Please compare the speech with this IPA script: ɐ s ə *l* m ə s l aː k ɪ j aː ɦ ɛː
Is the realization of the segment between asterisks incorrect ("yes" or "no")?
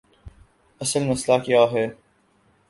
no